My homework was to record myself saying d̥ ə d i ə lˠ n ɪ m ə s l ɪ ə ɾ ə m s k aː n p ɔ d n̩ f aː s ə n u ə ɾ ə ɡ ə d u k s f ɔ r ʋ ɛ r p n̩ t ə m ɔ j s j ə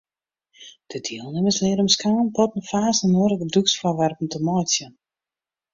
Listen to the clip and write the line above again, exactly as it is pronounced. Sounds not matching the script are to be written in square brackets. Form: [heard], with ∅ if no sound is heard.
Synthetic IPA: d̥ ə d i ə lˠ n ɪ m ə s l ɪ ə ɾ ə m s k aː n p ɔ [t] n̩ f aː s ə n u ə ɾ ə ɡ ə d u k s f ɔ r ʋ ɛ r p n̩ t ə m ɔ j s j ə